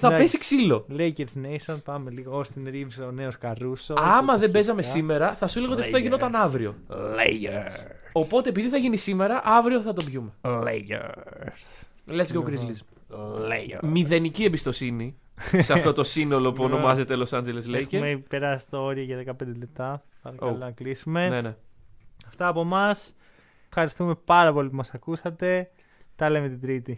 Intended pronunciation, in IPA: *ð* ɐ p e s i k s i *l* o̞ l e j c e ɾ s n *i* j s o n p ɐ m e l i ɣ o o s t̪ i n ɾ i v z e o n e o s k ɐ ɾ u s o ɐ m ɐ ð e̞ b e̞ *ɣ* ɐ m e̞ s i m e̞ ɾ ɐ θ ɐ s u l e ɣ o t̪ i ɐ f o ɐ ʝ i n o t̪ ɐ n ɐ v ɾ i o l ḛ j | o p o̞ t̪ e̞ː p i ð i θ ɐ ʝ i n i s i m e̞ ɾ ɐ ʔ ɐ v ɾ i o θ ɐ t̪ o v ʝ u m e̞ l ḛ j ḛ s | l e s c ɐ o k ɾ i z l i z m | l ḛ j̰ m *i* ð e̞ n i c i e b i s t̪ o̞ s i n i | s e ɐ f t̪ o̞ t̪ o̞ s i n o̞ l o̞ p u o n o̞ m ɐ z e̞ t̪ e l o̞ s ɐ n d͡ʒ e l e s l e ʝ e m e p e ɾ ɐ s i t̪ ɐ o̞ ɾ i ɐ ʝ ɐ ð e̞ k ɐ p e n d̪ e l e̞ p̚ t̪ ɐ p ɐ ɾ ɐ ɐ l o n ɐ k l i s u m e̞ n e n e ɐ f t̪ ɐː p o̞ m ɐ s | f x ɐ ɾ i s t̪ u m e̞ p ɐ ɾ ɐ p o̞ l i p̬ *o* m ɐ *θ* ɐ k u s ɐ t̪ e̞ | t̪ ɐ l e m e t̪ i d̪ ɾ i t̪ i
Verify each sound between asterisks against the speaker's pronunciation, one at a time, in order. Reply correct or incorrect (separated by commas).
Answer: incorrect, correct, incorrect, incorrect, correct, incorrect, incorrect